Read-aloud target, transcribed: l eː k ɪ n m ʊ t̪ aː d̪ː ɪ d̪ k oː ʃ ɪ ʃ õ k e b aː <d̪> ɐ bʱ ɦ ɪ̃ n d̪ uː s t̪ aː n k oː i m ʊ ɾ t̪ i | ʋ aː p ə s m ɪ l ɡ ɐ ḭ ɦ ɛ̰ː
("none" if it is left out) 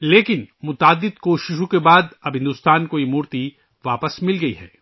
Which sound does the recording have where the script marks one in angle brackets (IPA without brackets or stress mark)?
d̪